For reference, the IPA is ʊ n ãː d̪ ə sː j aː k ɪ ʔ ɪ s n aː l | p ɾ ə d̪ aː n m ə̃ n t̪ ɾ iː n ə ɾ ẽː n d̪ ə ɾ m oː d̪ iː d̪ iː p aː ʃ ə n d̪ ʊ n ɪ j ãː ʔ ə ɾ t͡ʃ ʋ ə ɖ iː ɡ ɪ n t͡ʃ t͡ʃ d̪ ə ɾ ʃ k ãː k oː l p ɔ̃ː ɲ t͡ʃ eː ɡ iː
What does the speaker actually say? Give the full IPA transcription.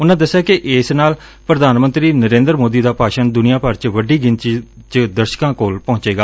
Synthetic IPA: ʊ n ãː d̪ ə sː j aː k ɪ ʔ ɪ s n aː l | p ɾ ə d̪ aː n m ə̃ n t̪ ɾ iː n ə ɾ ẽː n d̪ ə ɾ m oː d̪ iː d̪ aː p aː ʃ ə n d̪ ʊ n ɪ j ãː p ə ɾ t͡ʃ ʋ ə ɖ iː ɡ ɪ n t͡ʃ t͡ʃ d̪ ə ɾ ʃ k ãː k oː l p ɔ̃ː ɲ t͡ʃ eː ɡ aː